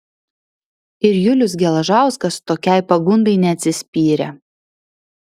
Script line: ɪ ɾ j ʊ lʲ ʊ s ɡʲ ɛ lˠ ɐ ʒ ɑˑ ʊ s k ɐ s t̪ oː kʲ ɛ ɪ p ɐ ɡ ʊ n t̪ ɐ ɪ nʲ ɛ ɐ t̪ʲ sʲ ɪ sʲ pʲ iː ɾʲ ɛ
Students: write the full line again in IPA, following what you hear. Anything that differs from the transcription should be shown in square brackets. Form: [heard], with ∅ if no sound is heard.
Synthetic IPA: ɪ ɾ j ʊ lʲ ʊ s ɡʲ ɛ lˠ ɐ ʒ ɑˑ ʊ s k ɐ s t̪ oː kʲ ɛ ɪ p ɐ ɡ ʊ n [d̪] ɐ ɪ nʲ ɛ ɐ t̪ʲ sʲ ɪ sʲ pʲ iː ɾʲ ɛ